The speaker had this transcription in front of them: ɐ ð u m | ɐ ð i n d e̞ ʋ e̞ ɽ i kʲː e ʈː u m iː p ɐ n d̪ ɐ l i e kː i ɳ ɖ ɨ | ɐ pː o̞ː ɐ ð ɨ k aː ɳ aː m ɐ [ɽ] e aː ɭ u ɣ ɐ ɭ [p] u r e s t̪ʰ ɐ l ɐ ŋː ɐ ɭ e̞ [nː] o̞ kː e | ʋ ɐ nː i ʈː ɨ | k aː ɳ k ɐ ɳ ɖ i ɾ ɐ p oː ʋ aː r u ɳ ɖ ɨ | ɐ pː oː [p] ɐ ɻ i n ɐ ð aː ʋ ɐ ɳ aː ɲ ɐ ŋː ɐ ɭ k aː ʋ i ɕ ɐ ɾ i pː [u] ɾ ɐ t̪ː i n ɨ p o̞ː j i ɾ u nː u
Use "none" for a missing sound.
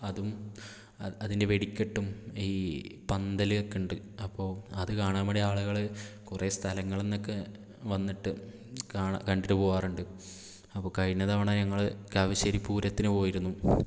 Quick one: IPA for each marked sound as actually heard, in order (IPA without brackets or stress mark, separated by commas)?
ɽ, k, nː, k, uː